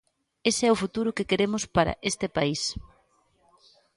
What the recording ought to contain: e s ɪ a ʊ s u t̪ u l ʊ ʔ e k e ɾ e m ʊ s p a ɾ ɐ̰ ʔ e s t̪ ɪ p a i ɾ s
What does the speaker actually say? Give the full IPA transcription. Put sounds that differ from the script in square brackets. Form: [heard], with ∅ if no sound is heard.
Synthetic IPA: e s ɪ [ɛ] ʊ [f] u t̪ u [ɾ] ʊ [k] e k e ɾ e m ʊ s p a ɾ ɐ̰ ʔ e s t̪ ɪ p a i [∅] s